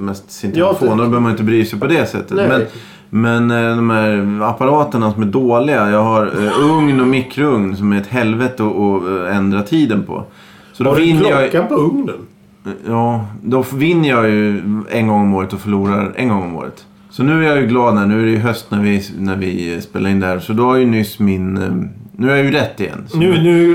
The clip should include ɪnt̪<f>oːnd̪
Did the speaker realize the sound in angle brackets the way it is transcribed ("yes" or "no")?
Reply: yes